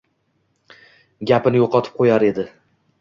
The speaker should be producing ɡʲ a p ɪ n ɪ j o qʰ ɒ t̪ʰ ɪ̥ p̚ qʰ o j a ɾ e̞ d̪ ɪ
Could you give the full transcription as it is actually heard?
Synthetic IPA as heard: ɡʲ a p ɪ n ɪ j o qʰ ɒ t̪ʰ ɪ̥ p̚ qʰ o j a ɾ e̞ d̪ ɪ